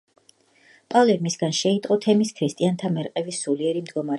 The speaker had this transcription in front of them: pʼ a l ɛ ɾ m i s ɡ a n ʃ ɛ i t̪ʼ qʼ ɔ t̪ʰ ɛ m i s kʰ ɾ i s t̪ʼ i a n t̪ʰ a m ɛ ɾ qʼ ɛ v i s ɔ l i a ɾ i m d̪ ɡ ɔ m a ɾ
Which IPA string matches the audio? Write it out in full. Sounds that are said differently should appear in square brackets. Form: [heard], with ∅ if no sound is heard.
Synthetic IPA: pʼ a l ɛ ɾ m i s ɡ a n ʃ ɛ i t̪ʼ qʼ ɔ t̪ʰ ɛ m i s kʰ ɾ i s t̪ʼ i a n t̪ʰ a m ɛ ɾ qʼ ɛ v i s [u] l i [ɛ] ɾ i m d̪ ɡ ɔ m a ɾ